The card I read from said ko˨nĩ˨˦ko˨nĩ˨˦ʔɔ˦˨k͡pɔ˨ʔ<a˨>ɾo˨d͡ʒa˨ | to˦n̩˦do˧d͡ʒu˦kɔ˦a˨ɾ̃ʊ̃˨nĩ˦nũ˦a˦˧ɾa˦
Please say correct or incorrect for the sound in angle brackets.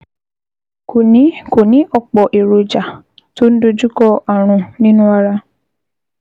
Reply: incorrect: e˨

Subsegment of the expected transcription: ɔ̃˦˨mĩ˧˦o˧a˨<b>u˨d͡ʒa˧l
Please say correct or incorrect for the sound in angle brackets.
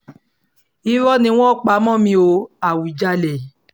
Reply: incorrect: w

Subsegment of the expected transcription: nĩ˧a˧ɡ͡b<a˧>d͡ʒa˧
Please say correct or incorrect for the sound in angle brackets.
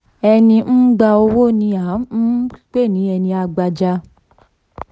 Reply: correct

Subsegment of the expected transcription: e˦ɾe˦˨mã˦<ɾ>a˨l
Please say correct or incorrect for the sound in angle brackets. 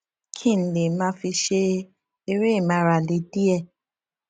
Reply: correct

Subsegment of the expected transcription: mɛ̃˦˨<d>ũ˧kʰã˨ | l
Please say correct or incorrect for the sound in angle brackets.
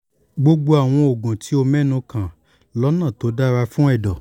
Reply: incorrect: n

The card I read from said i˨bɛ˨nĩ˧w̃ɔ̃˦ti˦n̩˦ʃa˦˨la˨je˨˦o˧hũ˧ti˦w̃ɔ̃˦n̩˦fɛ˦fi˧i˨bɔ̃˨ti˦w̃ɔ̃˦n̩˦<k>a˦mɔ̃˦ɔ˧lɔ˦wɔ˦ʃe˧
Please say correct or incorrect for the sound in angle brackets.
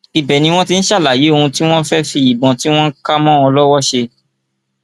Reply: correct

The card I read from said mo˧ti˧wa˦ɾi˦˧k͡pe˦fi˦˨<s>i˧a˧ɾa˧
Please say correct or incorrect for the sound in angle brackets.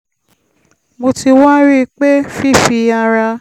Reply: incorrect: f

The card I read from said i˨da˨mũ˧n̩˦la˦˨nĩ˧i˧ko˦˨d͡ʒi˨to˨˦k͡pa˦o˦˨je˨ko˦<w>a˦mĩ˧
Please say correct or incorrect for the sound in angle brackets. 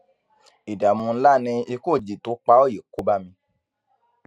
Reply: incorrect: b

